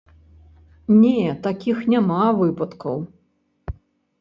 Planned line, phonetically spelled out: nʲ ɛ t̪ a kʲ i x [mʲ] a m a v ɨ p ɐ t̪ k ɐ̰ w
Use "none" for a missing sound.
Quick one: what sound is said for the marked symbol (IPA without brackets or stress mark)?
nʲ